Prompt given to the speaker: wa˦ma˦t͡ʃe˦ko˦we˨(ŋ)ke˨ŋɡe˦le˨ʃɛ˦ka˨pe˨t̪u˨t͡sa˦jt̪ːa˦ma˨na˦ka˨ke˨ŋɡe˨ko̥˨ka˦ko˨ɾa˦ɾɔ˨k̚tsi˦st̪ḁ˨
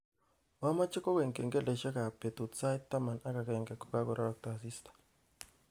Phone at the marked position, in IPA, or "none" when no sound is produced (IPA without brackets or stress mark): ŋ